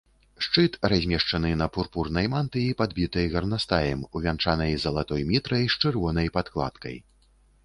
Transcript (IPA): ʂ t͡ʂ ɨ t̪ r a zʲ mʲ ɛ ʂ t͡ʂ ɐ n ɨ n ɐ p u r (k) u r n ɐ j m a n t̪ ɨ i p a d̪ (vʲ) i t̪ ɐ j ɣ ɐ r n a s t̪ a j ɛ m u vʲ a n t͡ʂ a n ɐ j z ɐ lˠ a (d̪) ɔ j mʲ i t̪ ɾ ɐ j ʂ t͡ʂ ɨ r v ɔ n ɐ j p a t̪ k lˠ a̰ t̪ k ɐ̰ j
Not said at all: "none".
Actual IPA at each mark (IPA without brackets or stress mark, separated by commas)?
p, bʲ, t̪